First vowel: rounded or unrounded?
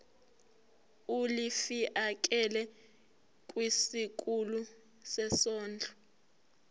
rounded